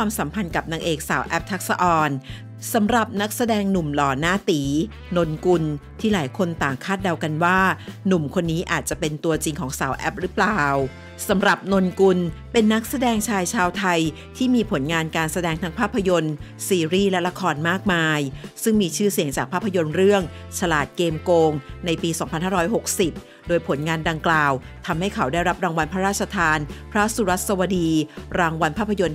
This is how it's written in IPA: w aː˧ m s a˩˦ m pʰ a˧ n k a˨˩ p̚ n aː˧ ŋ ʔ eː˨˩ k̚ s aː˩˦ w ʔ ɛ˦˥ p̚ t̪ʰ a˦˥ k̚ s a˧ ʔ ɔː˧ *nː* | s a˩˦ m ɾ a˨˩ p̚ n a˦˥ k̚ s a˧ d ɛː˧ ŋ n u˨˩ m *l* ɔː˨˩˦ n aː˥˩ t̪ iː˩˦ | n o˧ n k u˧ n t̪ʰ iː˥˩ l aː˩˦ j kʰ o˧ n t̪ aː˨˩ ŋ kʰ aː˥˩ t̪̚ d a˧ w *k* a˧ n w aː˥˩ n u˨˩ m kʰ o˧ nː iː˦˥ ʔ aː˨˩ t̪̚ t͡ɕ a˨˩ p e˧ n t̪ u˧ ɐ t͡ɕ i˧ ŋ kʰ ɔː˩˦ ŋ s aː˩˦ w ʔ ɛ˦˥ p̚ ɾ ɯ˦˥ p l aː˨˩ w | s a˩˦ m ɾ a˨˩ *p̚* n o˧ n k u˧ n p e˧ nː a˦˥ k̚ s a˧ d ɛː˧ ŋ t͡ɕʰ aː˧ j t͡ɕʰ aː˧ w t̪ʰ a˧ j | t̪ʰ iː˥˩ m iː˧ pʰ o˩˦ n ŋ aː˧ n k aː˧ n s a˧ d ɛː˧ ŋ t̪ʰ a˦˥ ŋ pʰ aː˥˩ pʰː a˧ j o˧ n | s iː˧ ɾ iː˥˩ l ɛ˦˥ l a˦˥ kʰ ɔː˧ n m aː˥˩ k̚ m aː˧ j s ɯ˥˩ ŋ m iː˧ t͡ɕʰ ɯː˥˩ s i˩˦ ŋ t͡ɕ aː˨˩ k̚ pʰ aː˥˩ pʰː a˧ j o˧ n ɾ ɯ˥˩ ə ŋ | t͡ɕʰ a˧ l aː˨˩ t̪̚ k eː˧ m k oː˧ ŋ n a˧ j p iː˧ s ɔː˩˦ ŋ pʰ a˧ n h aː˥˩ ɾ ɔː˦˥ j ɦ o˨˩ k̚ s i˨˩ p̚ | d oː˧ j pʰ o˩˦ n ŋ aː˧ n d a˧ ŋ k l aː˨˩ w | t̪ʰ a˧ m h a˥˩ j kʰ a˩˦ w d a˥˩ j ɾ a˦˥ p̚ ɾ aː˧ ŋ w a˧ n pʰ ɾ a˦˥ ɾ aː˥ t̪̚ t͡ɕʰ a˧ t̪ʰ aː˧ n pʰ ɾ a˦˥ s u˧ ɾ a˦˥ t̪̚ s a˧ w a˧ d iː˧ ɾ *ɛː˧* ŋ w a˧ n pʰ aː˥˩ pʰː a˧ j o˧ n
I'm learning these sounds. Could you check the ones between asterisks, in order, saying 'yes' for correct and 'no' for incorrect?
no, yes, yes, yes, no

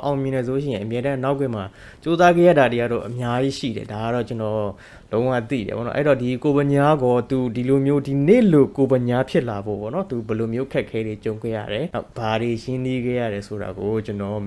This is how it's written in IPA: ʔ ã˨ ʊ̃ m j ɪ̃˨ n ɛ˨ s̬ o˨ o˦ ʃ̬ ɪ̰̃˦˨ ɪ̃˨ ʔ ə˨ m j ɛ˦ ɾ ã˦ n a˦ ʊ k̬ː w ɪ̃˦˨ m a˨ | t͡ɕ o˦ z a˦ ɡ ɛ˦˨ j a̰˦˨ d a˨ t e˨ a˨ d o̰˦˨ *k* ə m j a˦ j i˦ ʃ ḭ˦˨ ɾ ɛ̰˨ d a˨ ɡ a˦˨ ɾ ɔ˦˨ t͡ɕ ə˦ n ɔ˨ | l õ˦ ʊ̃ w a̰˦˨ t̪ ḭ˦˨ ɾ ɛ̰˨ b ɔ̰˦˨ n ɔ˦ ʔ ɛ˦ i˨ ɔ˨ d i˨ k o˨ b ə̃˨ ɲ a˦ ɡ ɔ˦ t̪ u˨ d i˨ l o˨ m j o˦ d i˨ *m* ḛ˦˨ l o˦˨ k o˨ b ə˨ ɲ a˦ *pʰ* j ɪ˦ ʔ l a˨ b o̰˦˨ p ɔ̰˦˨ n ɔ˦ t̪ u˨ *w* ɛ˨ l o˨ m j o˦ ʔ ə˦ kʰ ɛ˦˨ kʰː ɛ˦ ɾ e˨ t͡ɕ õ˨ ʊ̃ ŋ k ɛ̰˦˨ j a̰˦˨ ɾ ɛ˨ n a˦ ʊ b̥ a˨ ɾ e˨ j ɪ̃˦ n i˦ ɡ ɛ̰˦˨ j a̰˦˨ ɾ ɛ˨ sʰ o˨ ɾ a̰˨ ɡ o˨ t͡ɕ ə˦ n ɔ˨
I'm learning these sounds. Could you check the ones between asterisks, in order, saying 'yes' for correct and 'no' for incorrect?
no, no, yes, no

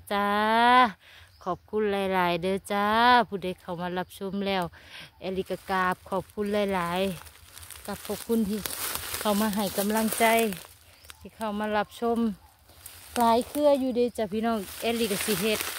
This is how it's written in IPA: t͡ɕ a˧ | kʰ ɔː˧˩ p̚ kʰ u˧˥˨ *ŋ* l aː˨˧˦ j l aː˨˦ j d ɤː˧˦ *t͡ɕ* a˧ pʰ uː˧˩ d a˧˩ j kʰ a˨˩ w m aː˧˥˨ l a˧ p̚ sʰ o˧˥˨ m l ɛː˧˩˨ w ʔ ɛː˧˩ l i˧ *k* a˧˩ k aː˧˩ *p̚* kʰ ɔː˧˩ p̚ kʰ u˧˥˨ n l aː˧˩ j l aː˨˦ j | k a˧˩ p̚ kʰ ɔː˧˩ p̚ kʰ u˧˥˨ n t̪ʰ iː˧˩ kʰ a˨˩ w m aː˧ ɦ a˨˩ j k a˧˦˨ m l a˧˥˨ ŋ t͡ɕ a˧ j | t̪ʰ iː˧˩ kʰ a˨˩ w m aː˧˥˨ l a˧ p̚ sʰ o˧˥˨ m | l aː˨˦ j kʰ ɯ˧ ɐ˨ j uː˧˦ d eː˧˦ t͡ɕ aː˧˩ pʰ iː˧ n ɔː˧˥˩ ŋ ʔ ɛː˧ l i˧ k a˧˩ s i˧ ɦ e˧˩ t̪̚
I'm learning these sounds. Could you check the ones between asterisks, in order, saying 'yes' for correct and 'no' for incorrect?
no, yes, yes, yes

